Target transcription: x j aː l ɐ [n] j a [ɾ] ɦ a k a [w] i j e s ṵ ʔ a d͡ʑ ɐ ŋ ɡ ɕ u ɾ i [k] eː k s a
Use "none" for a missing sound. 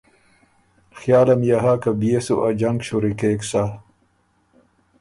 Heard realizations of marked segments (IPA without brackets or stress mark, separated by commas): m, none, b, k